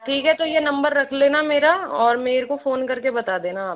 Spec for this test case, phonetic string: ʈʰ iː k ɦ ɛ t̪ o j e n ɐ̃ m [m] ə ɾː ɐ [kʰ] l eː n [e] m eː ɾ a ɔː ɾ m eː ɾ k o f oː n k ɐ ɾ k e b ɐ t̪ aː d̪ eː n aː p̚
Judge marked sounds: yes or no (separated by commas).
no, yes, no